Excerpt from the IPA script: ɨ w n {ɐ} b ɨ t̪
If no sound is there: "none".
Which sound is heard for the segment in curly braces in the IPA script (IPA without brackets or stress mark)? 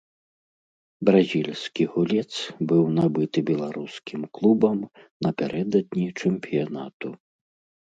a